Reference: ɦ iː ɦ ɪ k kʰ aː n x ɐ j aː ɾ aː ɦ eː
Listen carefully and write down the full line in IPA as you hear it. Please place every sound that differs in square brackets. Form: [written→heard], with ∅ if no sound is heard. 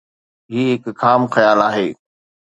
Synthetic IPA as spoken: ɦ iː ɦ ɪ k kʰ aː [n→m] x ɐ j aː [ɾ→l] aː ɦ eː